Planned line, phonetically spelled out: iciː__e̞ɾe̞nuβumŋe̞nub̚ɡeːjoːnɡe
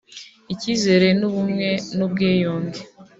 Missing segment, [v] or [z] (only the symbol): z